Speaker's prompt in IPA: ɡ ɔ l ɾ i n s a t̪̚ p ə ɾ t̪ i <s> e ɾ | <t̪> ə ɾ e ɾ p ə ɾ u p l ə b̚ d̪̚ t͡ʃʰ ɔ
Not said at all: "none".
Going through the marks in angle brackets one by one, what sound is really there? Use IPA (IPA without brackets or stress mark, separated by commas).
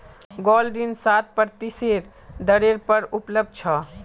s, d̪